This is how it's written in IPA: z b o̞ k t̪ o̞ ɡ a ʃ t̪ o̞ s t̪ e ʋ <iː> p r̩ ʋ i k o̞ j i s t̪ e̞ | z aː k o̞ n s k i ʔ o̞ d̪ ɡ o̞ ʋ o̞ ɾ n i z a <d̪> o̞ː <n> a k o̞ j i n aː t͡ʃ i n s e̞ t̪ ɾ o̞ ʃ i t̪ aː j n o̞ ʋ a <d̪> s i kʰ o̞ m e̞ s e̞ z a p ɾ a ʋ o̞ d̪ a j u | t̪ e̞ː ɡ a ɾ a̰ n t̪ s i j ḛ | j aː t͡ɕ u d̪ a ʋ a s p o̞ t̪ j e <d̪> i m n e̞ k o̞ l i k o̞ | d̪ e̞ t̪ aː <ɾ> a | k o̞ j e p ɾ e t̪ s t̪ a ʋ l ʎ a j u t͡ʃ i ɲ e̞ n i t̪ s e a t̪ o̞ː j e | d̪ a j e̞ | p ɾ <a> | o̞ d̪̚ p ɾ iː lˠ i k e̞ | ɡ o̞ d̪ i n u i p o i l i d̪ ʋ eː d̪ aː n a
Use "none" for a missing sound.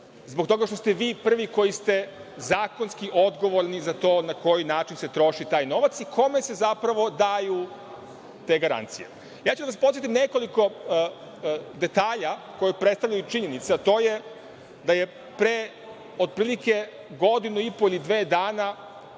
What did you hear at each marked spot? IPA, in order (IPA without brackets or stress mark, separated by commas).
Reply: iː, t̪, n, t̪, t̪, ʎ, e